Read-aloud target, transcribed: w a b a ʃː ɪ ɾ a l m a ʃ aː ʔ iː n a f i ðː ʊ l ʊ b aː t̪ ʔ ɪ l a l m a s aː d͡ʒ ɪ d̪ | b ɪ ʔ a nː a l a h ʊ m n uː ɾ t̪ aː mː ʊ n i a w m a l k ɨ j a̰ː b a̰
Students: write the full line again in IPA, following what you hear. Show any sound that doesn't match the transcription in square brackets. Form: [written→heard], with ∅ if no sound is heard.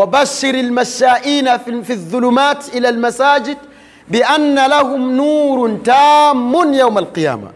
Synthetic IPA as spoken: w a b a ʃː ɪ ɾ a l m a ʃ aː ʔ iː n a f i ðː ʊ l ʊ [b→m] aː t̪ ʔ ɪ l a l m a s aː d͡ʒ ɪ d̪ | b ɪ ʔ a nː a l a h ʊ m n uː ɾ t̪ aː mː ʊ n [i→j] a w m a l [k→q] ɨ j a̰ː [b→m] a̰